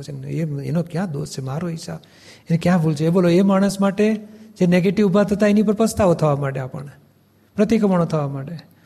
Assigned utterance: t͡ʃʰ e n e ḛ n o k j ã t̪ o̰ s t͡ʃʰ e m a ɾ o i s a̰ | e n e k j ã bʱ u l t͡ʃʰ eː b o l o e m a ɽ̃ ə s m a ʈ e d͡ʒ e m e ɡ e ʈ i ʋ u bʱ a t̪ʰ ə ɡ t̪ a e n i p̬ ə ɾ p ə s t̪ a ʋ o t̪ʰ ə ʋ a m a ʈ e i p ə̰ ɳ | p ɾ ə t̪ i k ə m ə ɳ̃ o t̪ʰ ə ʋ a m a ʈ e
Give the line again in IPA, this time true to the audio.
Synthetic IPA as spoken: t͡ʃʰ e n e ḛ n o k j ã d̪ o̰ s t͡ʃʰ e m a ɾ o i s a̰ | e n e k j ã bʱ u l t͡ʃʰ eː b o l o e m a ɽ̃ ə s m a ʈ e d͡ʒ e n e ɡ e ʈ i ʋ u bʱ a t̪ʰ ə t̪ a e n i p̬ ə ɾ p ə s t̪ a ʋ o t̪ʰ ə ʋ a m a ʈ e a p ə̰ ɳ | p ɾ ə t̪ i k ə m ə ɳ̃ o t̪ʰ ə ʋ a m a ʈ e